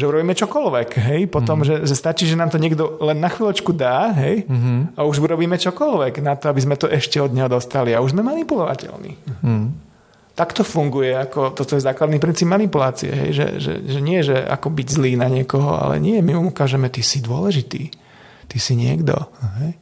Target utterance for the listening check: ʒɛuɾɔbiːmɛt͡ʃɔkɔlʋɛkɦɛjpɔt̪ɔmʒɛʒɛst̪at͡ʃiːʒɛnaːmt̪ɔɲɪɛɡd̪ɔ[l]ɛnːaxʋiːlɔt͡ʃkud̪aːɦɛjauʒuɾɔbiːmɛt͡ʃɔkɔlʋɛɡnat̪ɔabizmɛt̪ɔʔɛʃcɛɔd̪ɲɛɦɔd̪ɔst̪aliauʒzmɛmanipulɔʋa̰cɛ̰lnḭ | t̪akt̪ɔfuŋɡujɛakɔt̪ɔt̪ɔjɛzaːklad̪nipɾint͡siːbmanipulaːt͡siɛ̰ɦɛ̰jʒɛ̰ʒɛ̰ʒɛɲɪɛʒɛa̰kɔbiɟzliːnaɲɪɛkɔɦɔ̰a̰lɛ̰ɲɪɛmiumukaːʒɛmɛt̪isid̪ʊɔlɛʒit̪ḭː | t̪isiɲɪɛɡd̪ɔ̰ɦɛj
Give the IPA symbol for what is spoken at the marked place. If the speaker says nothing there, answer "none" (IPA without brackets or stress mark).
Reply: l